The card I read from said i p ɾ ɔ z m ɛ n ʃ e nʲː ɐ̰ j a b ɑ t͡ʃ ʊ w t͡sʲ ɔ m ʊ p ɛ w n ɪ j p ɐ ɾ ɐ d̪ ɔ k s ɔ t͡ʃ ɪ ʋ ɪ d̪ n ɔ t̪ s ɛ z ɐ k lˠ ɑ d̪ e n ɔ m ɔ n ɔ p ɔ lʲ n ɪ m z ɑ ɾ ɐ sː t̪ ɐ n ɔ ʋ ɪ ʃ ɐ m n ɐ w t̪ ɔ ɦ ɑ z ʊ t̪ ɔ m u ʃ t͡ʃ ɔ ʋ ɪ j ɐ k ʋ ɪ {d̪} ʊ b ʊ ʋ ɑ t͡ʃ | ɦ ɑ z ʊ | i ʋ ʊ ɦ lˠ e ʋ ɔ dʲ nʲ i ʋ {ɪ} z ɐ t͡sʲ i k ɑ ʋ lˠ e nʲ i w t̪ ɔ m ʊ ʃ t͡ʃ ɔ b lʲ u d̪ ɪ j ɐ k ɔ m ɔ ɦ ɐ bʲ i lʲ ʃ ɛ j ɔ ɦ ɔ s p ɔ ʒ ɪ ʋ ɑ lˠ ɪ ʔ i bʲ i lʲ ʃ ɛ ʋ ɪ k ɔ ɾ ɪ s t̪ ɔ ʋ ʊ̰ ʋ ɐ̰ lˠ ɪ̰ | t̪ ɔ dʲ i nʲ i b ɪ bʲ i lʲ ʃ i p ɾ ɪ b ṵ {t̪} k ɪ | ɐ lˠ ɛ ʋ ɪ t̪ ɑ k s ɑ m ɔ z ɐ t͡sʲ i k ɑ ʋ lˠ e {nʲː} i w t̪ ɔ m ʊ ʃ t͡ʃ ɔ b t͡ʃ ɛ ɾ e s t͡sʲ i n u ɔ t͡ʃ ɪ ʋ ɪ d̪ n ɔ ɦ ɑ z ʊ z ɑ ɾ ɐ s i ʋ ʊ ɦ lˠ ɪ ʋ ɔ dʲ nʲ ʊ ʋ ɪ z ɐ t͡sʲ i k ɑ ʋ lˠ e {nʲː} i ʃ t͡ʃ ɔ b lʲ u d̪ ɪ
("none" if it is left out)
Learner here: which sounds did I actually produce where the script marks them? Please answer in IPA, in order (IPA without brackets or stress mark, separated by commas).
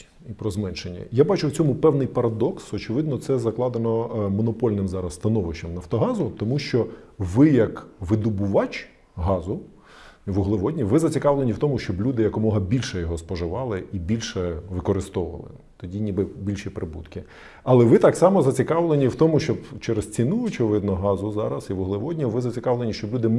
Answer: d̪, ɪ, t̪, nʲ, nʲ